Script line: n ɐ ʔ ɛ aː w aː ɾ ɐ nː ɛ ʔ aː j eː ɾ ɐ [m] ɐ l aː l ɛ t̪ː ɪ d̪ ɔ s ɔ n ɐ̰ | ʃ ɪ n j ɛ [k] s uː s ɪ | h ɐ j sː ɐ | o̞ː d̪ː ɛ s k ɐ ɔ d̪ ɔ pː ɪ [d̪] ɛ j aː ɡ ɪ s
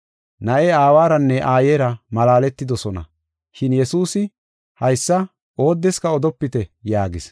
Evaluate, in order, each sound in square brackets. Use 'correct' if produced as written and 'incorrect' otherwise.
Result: correct, incorrect, incorrect

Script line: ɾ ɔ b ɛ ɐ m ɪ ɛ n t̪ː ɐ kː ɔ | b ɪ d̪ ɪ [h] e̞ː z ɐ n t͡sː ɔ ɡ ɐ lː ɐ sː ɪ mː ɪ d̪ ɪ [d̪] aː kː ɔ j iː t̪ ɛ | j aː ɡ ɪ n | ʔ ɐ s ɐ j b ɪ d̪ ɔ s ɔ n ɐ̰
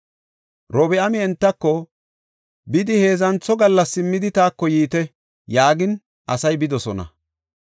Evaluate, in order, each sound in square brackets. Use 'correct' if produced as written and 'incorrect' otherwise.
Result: correct, incorrect

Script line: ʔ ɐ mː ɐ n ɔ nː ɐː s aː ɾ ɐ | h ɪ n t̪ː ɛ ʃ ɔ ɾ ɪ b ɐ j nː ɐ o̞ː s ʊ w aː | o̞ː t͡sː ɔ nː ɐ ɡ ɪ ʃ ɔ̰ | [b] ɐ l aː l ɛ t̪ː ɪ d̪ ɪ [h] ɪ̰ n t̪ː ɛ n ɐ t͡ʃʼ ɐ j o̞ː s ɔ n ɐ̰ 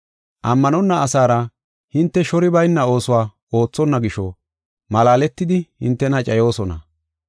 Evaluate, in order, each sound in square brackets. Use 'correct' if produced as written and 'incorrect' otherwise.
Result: incorrect, correct

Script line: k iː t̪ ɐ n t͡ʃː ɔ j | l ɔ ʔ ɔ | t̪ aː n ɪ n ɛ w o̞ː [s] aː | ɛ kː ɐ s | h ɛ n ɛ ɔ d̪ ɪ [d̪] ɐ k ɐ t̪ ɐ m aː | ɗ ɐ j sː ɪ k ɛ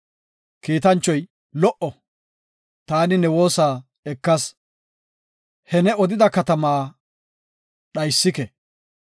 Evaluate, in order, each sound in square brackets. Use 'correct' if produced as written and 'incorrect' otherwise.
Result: correct, correct

